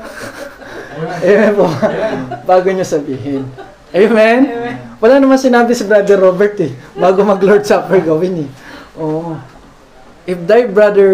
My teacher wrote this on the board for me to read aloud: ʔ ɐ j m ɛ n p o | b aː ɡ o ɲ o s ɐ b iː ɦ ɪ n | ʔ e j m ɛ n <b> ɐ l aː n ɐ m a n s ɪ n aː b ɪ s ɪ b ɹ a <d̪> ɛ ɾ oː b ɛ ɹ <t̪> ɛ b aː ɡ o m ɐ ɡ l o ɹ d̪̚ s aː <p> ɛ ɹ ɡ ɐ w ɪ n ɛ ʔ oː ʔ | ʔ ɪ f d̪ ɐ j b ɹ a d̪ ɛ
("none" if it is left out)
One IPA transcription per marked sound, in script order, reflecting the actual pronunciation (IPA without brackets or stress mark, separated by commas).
w, d̪, t̪, p